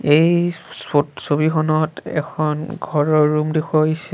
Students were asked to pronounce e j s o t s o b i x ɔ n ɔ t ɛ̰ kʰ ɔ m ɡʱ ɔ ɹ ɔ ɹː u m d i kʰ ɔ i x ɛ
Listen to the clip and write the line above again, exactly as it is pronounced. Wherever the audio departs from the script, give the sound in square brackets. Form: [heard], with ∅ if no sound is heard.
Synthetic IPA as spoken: e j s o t s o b i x ɔ n ɔ t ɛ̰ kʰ ɔ [n] ɡʱ ɔ ɹ ɔ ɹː u m d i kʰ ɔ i [s] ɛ